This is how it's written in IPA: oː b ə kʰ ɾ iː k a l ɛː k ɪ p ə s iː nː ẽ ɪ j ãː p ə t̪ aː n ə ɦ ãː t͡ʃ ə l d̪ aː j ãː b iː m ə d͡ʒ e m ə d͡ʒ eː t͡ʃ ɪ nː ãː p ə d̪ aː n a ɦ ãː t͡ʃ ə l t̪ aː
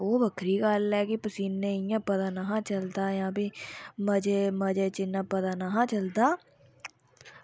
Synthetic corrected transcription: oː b ə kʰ ɾ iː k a l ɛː k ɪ p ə s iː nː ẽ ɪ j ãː p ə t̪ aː n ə ɦ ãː t͡ʃ ə l d̪ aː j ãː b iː m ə d͡ʒ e m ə d͡ʒ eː t͡ʃ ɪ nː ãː p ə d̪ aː n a ɦ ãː t͡ʃ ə l d̪ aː